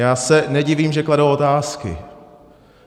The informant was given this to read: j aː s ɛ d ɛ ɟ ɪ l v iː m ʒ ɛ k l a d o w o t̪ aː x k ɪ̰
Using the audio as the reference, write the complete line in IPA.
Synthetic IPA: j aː s ɛ n ɛ ɟ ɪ v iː m ʒ ɛ k l a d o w o t̪ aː s k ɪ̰